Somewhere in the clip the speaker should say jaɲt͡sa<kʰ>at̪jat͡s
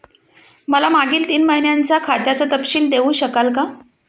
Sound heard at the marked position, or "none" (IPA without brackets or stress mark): kʰ